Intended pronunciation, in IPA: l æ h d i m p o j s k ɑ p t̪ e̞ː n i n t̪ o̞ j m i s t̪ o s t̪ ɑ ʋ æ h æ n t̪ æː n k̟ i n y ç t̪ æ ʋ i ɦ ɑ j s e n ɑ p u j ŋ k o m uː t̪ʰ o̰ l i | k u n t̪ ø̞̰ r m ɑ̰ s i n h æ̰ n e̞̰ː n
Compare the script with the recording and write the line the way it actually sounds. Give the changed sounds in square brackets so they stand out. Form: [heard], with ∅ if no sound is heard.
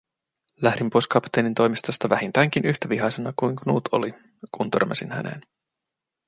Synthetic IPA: l æ h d i m p o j s k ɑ p t̪ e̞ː n i n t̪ o̞ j m i s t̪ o s t̪ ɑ ʋ æ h [i] n t̪ æː [ŋ] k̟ i n y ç t̪ æ ʋ i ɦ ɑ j s e n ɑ [k] u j ŋ k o [n] uː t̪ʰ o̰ l i | k u n t̪ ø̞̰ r m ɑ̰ s i n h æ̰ n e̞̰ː n